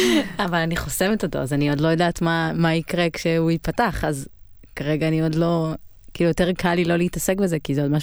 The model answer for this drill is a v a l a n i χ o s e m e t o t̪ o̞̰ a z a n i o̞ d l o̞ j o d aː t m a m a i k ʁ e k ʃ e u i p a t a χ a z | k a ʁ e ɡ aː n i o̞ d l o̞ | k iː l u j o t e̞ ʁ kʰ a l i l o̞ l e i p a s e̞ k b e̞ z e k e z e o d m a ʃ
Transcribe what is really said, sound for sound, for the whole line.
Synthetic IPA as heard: a v a l a n i χ o s e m e t o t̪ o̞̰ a z a n i o̞ d l o̞ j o d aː t m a m a i k ʁ e k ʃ e u i p a t a χ a z | k a ʁ e ɡ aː n i o̞ d l o̞ | k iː l u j o t e̞ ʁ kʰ a l i l o̞ l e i t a s e̞ k b e̞ z e k i z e o d m a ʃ